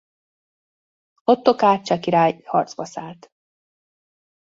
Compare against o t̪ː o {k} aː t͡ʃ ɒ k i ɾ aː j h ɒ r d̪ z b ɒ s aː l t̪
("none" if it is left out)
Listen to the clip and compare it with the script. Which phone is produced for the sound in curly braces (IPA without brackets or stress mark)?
k